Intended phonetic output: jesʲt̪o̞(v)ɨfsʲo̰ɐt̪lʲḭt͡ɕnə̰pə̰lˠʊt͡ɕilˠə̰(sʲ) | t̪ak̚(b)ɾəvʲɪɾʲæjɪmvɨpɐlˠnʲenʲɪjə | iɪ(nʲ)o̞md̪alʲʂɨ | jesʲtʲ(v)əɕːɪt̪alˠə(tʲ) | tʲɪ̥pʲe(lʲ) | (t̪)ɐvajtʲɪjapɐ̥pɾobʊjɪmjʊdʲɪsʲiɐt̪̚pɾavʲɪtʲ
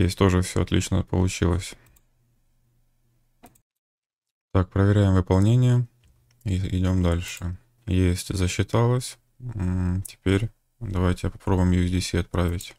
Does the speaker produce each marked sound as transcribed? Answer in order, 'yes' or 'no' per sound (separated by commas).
no, yes, no, no, no, no, no, no